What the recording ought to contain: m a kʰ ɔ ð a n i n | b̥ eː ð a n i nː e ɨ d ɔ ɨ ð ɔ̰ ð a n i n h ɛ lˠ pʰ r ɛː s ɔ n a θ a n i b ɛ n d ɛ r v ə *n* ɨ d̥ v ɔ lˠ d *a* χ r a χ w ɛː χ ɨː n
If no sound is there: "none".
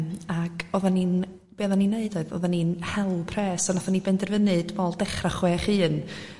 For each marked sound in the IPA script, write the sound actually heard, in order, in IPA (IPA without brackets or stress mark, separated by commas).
n, ɛ